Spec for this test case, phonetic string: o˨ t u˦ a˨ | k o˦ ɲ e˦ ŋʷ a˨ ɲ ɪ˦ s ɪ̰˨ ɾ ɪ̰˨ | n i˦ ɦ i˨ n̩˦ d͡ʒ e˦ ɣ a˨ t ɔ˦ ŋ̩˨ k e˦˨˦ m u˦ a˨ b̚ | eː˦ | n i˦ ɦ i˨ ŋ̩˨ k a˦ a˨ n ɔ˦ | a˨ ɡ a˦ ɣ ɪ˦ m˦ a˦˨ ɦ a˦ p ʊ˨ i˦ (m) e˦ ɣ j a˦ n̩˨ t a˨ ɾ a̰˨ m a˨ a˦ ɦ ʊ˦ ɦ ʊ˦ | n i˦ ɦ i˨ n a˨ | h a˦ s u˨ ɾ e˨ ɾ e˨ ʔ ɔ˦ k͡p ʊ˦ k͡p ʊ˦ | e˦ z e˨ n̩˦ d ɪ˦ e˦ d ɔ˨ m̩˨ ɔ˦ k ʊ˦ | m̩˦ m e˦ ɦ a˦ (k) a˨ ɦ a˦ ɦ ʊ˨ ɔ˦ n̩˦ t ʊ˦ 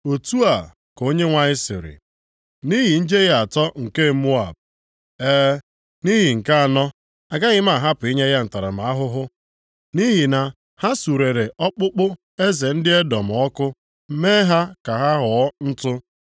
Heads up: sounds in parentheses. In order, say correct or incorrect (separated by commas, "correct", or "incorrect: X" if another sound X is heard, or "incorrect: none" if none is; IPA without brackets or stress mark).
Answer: incorrect: ɲ, correct